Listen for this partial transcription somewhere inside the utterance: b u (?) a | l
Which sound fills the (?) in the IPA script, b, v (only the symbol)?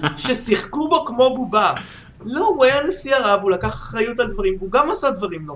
b